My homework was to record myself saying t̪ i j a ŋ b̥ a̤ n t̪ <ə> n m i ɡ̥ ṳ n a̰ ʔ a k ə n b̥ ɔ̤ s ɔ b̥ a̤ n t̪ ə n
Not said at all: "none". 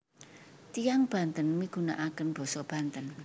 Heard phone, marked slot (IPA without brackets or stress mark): ə